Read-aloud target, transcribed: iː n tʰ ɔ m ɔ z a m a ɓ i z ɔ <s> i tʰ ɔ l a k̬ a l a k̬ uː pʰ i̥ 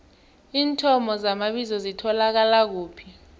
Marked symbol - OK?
no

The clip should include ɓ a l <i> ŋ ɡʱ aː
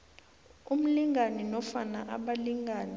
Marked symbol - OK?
yes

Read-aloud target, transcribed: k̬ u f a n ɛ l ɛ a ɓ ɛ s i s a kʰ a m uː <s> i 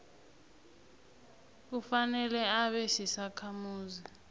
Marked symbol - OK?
no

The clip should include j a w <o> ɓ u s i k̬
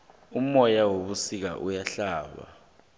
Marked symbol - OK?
yes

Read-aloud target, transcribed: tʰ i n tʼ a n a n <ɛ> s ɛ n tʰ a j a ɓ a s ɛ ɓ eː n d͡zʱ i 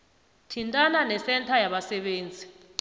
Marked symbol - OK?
yes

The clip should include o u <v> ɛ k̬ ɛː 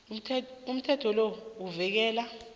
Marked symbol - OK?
yes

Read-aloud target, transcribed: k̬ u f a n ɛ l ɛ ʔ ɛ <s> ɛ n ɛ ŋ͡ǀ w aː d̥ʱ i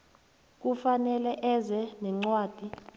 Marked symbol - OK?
no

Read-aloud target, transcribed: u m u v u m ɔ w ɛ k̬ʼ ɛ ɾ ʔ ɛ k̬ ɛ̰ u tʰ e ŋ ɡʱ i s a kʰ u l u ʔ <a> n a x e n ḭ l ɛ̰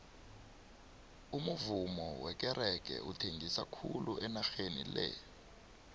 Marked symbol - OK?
no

